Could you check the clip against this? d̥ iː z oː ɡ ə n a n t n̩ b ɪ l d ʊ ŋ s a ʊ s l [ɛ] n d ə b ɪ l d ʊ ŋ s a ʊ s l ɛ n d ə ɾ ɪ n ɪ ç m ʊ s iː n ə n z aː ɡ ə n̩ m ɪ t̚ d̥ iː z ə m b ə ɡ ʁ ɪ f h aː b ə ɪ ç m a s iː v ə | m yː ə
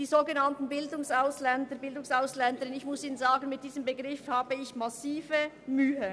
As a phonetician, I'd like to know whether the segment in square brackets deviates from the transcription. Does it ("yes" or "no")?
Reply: no